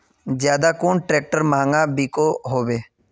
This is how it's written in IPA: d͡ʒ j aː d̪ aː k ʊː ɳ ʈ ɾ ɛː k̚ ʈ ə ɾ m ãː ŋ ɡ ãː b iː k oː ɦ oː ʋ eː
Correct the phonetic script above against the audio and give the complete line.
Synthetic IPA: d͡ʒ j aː d̪ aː k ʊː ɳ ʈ ɾ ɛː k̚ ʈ ə ɾ m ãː ŋ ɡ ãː b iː k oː ɦ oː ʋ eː